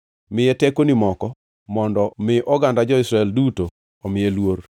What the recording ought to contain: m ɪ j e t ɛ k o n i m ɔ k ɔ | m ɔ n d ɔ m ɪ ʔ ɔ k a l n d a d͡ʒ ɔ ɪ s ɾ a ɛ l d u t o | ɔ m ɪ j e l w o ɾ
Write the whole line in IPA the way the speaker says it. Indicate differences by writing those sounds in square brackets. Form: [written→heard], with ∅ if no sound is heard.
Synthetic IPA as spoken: m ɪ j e t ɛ k o n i m ɔ k ɔ | m ɔ n d ɔ m ɪ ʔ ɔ [k→ɡ] a [l→∅] n d a d͡ʒ ɔ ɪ s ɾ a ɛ l d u t o | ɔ m ɪ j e l w o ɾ

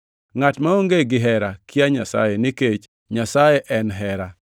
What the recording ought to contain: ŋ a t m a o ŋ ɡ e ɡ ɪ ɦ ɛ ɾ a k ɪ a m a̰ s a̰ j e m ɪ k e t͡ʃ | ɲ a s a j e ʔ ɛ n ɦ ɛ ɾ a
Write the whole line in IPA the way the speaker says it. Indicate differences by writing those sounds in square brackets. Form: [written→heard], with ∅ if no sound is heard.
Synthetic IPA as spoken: ŋ a t m a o ŋ ɡ e ɡ ɪ ɦ ɛ ɾ a k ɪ a [m→ɲ] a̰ s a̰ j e [m→n] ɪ k e t͡ʃ | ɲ a s a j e ʔ ɛ n ɦ ɛ ɾ a

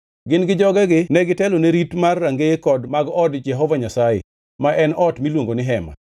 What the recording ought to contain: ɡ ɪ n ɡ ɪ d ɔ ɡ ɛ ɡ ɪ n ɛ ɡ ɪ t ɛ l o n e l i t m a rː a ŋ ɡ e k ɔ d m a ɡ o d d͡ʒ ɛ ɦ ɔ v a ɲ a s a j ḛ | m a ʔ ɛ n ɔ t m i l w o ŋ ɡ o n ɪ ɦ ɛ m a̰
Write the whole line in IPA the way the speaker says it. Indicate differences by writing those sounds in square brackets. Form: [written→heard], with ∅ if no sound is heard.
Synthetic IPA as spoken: ɡ ɪ n ɡ ɪ [d→d͡ʒ] ɔ ɡ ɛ ɡ ɪ n ɛ ɡ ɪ t ɛ l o n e [l→ɾ] i t m a rː a ŋ ɡ e k ɔ d m a ɡ [o→ɔ] d d͡ʒ ɛ ɦ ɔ v a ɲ a s a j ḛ | m a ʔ ɛ n ɔ t m i l w o ŋ ɡ o n ɪ ɦ ɛ m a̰

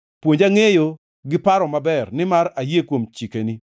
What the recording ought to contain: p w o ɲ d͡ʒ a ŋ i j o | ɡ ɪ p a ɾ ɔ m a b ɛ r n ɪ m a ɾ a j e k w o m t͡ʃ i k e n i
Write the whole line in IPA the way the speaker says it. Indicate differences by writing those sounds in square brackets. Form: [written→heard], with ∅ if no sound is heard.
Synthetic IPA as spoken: p w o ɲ d͡ʒ a ŋ [i→e] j o | ɡ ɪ p a ɾ ɔ m a b ɛ r n ɪ m a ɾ a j e k w o m t͡ʃ i k e n i

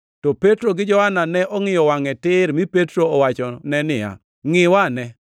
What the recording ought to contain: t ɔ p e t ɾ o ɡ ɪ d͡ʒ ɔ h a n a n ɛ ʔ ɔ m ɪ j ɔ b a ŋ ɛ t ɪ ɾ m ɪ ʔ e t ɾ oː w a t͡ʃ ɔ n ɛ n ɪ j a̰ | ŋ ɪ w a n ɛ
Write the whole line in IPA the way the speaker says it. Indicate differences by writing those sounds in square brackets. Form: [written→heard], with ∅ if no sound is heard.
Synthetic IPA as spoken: t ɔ p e t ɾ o ɡ ɪ d͡ʒ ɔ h a n a n ɛ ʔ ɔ [m→ŋ] ɪ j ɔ [b→w] a ŋ ɛ t ɪ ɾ m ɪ [ʔ→p] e t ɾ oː w a t͡ʃ ɔ n ɛ n ɪ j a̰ | ŋ ɪ w a n ɛ

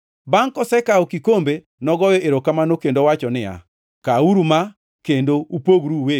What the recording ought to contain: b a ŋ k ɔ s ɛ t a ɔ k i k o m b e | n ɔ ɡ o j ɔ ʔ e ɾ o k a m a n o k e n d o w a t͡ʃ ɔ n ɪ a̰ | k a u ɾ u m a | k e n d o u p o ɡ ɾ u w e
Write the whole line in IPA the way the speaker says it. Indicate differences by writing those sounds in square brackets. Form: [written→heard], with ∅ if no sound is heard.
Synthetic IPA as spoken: b a ŋ k ɔ s ɛ [t→k] a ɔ k i k o m b e | n ɔ ɡ [o→ɔ] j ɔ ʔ e ɾ o k a m a n o k e n d o w a t͡ʃ ɔ n ɪ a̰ | k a u ɾ u m a | k e n d o u p o ɡ ɾ u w e

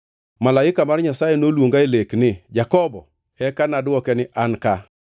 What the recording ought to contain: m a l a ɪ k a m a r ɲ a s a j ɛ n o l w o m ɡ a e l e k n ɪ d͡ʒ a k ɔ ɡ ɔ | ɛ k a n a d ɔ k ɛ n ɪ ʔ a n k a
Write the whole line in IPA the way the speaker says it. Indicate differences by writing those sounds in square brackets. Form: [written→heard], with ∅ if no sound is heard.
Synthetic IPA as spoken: m a l a ɪ k a m a r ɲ a s a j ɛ n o l w o [m→ŋ] ɡ a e l e k n ɪ d͡ʒ a k ɔ [ɡ→b] ɔ | ɛ k a n a d ɔ k ɛ n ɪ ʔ a n k a

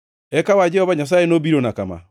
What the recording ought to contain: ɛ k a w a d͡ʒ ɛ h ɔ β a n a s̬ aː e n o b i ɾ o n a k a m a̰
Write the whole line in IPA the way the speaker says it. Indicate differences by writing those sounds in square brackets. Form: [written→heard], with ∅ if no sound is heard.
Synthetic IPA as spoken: ɛ k a w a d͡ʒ ɛ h ɔ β a [n→ɲ] a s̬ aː e n o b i ɾ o n a k a m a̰

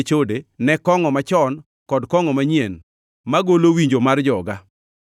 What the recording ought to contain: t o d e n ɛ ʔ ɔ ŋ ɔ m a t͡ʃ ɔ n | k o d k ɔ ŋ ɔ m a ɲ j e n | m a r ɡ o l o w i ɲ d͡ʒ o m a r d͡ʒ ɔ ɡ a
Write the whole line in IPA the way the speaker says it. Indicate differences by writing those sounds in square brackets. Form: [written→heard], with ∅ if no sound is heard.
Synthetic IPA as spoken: [t→t͡ʃ] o d e n ɛ [ʔ→k] ɔ ŋ ɔ m a t͡ʃ ɔ n | k [o→ɔ] d k ɔ ŋ ɔ m a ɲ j e n | m a [r→∅] ɡ o l o w i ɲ d͡ʒ o m a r d͡ʒ ɔ ɡ a

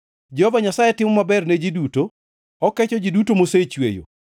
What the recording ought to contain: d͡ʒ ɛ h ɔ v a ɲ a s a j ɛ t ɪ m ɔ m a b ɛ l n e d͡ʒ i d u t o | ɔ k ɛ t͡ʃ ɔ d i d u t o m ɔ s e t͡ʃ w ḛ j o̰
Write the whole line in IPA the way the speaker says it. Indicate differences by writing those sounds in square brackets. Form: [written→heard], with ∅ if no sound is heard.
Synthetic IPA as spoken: d͡ʒ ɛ h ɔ v a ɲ a s a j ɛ t ɪ m ɔ m a b ɛ [l→r] n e d͡ʒ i d u t o | ɔ k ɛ t͡ʃ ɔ [d→d͡ʒ] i d u t o m [ɔ→o] s e t͡ʃ w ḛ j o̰

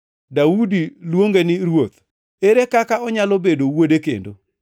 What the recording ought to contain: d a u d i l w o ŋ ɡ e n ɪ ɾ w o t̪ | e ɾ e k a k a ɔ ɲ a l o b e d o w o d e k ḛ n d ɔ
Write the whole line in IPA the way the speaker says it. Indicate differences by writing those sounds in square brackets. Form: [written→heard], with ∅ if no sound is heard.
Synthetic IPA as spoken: d a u d i l w o ŋ ɡ e n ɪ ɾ w o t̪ | e ɾ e k a k a ɔ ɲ a l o b e d o w o d e k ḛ n d [ɔ→o]

